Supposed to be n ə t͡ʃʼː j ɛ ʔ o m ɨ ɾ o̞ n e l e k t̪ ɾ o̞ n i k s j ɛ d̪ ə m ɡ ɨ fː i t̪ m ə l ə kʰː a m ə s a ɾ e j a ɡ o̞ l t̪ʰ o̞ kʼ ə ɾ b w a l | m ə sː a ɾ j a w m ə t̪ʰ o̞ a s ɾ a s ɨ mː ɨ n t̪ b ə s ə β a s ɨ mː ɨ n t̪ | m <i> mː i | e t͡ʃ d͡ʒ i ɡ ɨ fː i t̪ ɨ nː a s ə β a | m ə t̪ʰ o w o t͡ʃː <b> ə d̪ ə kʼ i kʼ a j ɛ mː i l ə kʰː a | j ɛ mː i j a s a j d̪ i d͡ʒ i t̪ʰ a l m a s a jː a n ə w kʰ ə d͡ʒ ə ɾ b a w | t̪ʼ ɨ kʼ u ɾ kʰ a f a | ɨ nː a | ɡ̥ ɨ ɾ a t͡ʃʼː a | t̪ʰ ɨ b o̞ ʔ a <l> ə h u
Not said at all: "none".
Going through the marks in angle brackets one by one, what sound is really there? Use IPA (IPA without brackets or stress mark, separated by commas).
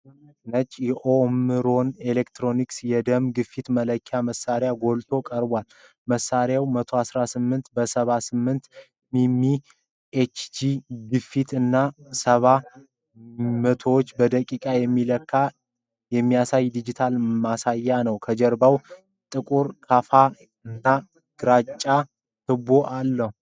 i, b, lː